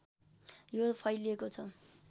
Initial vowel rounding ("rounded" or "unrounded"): rounded